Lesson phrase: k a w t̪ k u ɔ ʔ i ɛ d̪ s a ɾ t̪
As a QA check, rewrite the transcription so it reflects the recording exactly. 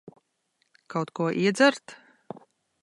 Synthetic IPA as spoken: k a w t̪ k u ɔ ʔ i ɛ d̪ z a ɾ t̪